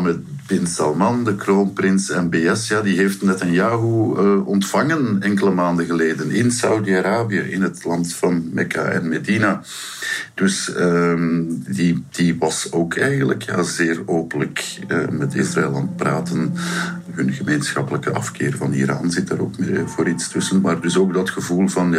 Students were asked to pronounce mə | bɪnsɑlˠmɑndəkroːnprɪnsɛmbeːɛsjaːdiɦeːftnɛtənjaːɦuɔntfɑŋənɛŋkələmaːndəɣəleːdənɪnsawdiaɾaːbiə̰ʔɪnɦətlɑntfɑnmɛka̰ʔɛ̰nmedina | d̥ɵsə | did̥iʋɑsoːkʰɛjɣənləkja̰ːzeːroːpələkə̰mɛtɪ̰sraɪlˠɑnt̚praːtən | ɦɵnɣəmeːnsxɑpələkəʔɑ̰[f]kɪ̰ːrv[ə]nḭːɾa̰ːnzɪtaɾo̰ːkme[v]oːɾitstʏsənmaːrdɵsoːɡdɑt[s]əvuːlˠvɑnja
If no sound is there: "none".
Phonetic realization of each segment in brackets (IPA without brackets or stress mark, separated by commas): f, ɑ, v, x